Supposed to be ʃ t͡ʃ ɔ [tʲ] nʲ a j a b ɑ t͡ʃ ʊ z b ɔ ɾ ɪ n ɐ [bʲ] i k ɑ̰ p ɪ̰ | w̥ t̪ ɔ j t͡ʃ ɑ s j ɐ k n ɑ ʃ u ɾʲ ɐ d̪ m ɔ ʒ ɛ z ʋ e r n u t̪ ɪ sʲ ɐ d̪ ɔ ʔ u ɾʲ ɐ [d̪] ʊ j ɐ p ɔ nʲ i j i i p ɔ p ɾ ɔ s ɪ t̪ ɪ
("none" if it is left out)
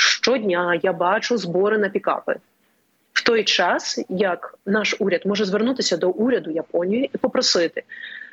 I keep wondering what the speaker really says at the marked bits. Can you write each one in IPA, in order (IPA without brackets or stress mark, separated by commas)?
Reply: dʲ, pʲ, d̪